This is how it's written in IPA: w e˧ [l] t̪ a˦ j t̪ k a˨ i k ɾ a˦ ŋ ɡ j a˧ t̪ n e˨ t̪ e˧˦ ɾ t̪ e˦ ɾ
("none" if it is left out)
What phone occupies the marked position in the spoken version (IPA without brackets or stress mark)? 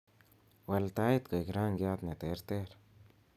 l